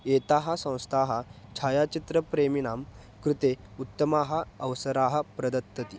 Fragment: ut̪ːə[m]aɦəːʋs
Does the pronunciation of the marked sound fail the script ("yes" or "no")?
no